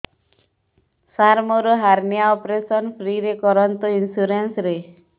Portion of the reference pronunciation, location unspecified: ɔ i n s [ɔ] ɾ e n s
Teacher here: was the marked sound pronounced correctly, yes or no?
no